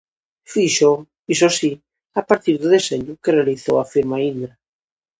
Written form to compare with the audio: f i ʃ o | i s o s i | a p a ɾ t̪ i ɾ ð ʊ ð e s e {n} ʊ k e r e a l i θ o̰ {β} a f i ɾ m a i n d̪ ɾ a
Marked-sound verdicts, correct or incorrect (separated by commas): incorrect, incorrect